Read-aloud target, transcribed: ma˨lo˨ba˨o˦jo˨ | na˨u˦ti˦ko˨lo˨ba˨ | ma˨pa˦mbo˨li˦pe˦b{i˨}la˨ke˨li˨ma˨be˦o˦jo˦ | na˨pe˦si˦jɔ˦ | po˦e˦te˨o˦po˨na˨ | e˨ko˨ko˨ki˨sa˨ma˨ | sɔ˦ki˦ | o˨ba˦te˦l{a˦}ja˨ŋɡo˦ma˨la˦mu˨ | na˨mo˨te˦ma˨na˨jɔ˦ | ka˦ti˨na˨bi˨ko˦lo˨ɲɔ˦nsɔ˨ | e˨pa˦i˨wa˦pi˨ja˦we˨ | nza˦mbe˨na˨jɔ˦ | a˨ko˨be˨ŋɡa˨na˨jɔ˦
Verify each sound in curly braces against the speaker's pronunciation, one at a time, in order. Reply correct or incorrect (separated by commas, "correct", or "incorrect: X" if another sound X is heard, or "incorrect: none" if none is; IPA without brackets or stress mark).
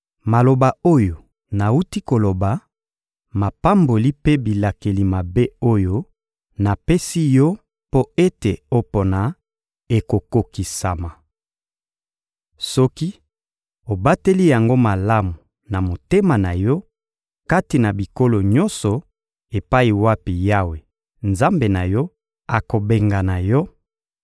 correct, incorrect: i˦